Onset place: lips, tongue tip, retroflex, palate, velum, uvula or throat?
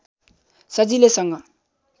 tongue tip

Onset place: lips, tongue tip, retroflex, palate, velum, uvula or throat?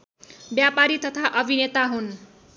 lips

